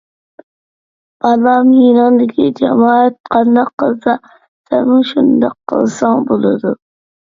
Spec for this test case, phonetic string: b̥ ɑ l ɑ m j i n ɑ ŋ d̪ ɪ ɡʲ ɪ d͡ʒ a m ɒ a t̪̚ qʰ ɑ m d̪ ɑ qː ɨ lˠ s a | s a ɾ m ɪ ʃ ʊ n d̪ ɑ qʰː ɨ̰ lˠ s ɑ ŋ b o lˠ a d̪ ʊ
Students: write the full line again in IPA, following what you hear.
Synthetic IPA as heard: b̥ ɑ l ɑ m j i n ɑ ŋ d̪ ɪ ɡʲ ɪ d͡ʒ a m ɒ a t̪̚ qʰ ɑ n d̪ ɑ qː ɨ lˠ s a | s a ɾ m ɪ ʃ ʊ n d̪ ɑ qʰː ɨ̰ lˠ s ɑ ŋ b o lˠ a d̪ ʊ

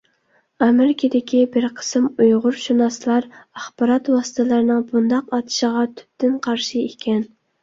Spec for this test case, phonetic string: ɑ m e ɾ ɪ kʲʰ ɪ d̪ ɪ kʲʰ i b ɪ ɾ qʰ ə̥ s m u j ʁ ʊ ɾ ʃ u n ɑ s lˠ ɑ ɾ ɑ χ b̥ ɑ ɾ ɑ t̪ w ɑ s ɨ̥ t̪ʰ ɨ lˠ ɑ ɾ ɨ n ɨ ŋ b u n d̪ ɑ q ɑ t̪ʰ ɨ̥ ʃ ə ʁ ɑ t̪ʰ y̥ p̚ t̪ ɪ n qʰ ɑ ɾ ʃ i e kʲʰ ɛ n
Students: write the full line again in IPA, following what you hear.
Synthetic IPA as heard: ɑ m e ɾ ɪ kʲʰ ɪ d̪ ɪ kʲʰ i b ɪ ɾ qʰ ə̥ s m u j ʁ ʊ ɾ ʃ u n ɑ s lˠ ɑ ɾ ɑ χ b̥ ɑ ɾ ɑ t̪ w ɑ s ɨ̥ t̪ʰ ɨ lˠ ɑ ɾ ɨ n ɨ ŋ b u n d̪ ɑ q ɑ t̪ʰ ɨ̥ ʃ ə ʁ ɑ t̪ʰ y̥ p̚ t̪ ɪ n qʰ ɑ ɾ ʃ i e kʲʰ ɛ n

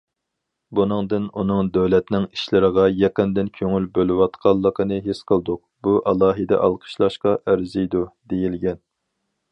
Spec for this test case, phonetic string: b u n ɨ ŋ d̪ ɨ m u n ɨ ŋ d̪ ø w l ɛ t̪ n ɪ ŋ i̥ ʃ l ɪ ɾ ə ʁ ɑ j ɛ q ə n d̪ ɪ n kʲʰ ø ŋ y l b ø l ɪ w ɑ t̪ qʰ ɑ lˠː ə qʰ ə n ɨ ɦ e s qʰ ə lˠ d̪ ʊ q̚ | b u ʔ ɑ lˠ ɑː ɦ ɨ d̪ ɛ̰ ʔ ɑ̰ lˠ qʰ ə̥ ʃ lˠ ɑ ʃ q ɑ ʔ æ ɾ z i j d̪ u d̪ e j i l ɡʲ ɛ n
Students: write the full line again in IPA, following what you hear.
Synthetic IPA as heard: b u n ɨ ŋ d̪ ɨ n u n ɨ ŋ d̪ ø w l ɛ t̪ n ɪ ŋ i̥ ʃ l ɪ ɾ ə ʁ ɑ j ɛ q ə n d̪ ɪ n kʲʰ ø ŋ y l b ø l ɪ w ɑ t̪ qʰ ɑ lˠː ə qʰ ə n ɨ ɦ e s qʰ ə lˠ d̪ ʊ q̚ | b u ʔ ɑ lˠ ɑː ɦ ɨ d̪ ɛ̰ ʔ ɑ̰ lˠ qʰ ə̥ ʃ lˠ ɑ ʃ q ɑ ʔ æ ɾ z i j d̪ u d̪ e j i l ɡʲ ɛ n

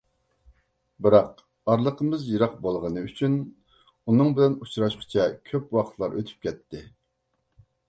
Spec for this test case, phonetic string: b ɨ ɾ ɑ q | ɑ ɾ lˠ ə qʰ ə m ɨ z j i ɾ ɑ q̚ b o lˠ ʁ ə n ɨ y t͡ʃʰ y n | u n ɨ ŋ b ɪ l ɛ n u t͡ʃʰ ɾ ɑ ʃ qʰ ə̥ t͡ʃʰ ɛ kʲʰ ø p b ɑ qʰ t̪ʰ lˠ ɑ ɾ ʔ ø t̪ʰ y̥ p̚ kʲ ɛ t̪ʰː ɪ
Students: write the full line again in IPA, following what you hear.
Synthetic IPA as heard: b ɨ ɾ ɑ q | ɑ ɾ lˠ ə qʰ ə m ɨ z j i ɾ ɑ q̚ b o lˠ ʁ ə n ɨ y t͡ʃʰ y n | u n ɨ ŋ b ɪ l ɛ n u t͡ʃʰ ɾ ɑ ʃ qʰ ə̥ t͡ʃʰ ɛ kʲʰ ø p w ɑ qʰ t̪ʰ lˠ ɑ ɾ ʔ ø t̪ʰ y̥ p̚ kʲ ɛ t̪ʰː ɪ

